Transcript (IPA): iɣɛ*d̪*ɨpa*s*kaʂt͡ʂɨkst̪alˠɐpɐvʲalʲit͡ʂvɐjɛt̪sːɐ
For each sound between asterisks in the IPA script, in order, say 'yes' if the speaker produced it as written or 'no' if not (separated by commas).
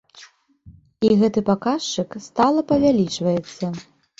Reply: no, no